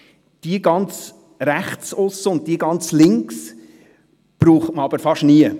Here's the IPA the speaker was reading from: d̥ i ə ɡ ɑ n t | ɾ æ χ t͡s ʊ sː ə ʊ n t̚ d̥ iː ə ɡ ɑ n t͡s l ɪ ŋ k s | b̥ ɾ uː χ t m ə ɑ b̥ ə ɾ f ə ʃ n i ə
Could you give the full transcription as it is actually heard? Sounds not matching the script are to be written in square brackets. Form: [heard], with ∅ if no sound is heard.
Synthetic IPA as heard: d̥ i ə ɡ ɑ n [t͡s] | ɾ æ χ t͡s ʊ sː ə ʊ n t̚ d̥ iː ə ɡ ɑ n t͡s l ɪ ŋ k s | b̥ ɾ uː χ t m ə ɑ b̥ ə ɾ f [ɑ] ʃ n i ə

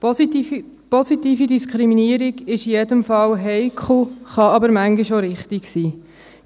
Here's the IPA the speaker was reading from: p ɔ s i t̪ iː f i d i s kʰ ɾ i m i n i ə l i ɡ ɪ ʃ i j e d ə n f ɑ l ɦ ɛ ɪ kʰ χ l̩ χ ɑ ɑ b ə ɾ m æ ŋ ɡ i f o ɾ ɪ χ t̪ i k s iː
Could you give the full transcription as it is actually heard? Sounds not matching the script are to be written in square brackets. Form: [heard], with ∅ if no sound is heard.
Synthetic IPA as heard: p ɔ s i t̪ iː f i d i s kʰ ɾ i m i n i ə [ɾ] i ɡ ɪ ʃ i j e d ə [m] f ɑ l ɦ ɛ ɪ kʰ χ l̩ χ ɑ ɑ b ə ɾ m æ ŋ ɡ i [ʃ] o ɾ ɪ χ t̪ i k s iː

